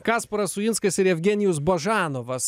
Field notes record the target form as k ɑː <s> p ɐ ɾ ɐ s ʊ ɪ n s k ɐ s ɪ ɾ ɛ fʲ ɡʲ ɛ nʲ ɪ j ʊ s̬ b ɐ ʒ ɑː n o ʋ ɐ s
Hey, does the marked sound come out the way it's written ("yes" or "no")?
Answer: yes